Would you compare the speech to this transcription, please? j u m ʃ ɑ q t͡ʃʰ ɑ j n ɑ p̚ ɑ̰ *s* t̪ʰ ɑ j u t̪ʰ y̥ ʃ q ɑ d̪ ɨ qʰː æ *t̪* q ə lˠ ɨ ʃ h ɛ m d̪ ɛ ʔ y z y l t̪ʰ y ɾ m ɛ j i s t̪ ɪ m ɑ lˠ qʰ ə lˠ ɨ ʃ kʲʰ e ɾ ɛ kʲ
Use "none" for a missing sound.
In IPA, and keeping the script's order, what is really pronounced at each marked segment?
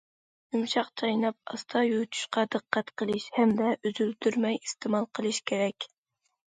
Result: s, t̪

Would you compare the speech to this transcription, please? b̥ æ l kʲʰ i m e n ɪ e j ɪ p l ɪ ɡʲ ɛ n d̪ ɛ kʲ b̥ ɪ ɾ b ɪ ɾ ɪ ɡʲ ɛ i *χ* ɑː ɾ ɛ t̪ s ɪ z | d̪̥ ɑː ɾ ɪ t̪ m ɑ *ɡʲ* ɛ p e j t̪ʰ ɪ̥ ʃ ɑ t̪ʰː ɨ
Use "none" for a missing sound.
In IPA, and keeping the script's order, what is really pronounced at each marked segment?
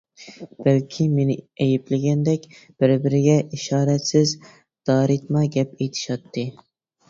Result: ʃ, ɡʲ

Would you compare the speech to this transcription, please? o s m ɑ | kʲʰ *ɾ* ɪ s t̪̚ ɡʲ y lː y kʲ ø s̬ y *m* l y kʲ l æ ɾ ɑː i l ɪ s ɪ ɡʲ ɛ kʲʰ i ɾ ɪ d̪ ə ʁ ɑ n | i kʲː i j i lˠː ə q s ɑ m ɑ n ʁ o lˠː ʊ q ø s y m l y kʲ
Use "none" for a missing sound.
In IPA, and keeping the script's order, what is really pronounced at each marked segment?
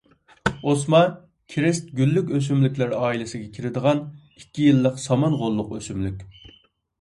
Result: ɾ, m

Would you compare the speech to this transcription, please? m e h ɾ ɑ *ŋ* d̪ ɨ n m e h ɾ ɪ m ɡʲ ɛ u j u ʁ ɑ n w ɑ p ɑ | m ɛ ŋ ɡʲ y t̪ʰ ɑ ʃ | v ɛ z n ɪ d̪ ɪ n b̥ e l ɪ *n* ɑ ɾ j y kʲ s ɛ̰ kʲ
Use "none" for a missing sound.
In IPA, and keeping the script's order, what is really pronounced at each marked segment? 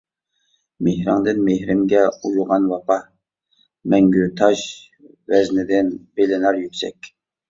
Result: ŋ, n

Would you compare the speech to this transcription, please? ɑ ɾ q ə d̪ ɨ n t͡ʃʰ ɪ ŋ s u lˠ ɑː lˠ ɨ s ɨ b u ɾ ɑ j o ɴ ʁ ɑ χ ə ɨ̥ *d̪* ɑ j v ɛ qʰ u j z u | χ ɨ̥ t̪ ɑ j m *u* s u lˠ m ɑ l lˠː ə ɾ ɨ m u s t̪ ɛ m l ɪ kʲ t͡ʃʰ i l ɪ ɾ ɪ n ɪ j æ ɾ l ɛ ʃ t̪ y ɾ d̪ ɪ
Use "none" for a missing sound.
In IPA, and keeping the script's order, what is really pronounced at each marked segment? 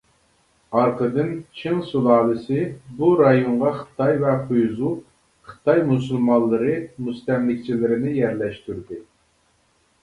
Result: t̪, u

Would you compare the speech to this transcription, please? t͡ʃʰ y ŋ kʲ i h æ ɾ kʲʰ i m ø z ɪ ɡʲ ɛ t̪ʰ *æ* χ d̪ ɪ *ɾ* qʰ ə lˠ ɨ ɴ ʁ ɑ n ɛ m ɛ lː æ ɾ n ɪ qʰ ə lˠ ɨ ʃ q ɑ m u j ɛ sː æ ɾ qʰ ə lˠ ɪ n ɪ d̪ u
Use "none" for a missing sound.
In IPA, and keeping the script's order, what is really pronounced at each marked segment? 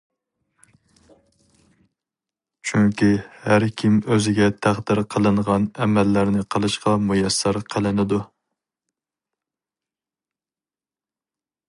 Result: æ, ɾ

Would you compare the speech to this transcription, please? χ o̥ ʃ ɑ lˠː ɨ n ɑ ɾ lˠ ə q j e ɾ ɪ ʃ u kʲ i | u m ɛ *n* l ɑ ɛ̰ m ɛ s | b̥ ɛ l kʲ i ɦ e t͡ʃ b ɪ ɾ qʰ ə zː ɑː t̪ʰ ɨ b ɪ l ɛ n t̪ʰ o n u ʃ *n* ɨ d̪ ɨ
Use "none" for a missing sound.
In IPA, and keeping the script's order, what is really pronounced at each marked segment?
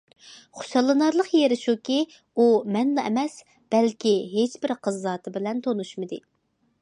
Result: n, m

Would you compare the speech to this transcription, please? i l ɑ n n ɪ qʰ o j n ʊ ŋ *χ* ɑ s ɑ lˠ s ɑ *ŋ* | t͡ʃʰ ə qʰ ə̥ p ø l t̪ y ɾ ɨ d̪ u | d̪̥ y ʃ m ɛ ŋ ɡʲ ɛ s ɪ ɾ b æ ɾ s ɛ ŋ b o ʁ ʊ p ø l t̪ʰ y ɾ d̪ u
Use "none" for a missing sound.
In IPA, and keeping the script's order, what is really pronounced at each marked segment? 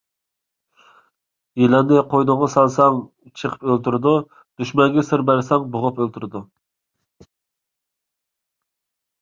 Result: ʁ, ŋ

